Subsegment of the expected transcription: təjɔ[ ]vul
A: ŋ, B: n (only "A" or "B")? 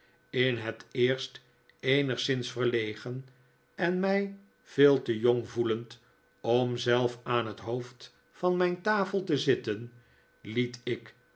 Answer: A